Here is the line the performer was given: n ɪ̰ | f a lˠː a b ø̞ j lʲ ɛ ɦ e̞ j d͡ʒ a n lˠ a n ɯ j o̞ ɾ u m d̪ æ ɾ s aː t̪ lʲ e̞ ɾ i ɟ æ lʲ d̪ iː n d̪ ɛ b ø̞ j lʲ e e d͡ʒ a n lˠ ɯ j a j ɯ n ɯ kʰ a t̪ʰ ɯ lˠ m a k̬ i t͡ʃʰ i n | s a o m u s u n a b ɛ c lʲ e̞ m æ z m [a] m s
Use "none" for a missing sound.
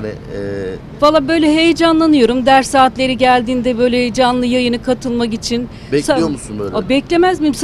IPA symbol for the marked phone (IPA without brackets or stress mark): i